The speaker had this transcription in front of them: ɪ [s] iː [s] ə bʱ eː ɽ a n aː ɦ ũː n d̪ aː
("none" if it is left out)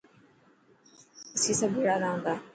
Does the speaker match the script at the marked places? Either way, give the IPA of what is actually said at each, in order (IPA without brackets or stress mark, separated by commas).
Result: s, s